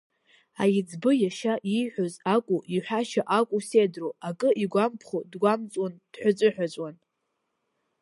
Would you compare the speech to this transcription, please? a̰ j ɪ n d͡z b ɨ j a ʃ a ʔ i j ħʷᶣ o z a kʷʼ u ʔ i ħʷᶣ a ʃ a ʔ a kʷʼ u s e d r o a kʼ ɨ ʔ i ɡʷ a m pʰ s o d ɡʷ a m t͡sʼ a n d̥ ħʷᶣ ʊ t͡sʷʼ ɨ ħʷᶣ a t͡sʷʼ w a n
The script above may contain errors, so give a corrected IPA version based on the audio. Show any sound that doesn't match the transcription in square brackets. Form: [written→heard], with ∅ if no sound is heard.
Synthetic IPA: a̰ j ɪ [n→∅] d͡z b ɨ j a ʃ a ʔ i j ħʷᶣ o z a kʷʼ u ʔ i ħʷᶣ a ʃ a ʔ a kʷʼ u s e d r o a kʼ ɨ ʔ i ɡʷ a m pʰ [s→χ] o d ɡʷ a m t͡sʼ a n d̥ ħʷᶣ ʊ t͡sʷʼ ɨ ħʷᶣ a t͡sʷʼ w a n